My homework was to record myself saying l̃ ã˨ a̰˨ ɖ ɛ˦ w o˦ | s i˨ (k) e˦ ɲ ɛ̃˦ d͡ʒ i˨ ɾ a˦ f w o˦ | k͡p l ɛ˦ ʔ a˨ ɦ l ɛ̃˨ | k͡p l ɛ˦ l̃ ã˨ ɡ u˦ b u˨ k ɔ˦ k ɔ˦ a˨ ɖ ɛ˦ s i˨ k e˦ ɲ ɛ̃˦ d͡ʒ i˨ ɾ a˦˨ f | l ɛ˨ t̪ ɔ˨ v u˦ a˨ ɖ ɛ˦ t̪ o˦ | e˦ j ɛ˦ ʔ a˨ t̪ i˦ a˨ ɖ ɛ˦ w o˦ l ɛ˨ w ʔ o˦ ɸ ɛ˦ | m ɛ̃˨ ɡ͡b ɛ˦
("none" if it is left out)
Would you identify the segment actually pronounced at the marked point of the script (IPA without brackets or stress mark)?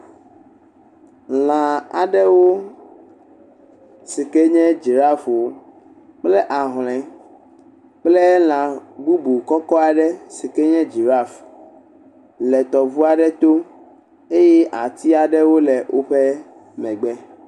k